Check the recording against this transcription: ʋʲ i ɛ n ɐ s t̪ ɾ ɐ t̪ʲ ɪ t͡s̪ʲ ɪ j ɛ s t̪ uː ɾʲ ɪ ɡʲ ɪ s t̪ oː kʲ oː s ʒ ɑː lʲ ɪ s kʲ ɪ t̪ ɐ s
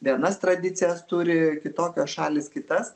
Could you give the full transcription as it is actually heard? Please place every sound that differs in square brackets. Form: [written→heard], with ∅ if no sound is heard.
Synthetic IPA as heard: ʋʲ i ɛ n ɐ s t̪ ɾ ɐ [t̪ʲ→d̪ʲ] ɪ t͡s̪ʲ ɪ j ɛ s t̪ uː ɾʲ ɪ [ɡʲ→kʲ] ɪ [s→∅] t̪ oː kʲ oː s [ʒ→ʃ] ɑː lʲ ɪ s kʲ ɪ t̪ ɐ s